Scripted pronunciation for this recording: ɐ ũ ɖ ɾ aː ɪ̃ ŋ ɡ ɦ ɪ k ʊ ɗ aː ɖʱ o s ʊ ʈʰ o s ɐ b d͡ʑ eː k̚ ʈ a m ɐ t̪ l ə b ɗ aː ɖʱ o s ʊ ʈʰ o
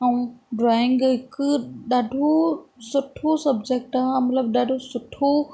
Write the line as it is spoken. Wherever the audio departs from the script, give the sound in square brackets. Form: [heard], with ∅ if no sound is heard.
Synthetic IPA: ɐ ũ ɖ ɾ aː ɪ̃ ŋ ɡ ɦ ɪ k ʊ ɗ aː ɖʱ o s ʊ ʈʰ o s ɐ b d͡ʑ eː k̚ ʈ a m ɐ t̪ l ə b ɗ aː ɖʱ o s ʊ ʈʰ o